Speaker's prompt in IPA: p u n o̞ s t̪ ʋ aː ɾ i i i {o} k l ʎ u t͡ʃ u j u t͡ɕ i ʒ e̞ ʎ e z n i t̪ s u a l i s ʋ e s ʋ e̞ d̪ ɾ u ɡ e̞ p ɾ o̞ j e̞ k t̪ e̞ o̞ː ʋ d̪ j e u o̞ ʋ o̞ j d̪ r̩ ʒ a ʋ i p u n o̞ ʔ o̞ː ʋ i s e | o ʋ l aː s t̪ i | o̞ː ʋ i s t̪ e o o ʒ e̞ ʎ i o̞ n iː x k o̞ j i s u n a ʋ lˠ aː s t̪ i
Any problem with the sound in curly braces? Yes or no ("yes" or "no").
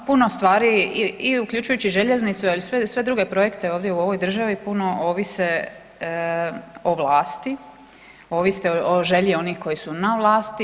yes